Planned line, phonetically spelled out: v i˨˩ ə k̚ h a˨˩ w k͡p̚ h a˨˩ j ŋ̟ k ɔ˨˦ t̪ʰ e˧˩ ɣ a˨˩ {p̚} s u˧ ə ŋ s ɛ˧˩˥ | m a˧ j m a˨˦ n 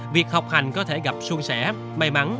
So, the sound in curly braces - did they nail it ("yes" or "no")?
yes